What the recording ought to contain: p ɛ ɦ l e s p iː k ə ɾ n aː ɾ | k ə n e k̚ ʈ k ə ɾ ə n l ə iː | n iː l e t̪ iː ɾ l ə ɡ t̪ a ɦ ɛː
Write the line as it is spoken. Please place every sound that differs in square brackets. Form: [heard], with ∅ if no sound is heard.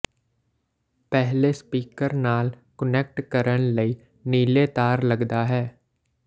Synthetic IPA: p ɛ ɦ l e s p iː k ə ɾ n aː [l] | k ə n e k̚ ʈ k ə ɾ ə n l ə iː | n iː l e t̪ [aː] ɾ l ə ɡ [d̪] a ɦ ɛː